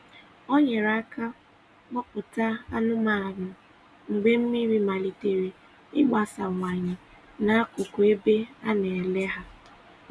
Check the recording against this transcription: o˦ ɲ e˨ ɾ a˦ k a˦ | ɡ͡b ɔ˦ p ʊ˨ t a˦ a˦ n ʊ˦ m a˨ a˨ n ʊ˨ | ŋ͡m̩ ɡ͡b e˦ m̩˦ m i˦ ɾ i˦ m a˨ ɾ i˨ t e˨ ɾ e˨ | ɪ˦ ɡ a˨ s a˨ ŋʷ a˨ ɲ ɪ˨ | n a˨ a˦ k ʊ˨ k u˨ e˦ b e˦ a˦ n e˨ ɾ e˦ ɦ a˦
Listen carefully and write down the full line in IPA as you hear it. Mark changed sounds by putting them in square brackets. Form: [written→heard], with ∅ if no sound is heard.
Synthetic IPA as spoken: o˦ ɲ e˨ ɾ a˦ k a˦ | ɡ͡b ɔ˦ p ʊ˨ t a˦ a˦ n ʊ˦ m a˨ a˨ n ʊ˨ | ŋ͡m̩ ɡ͡b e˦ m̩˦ m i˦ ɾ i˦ m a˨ [ɾ→l] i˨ t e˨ ɾ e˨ | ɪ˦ [ɡ→ɡ͡b] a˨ s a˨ ŋʷ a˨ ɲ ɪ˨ | n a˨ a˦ k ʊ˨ k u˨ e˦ b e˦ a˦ n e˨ [ɾ→l] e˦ ɦ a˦